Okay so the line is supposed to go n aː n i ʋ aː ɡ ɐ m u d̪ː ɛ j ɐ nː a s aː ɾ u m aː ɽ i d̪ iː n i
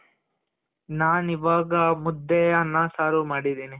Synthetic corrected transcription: n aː n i ʋ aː ɡ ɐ m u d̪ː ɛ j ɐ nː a s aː ɾ u m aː ɽ i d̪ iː n i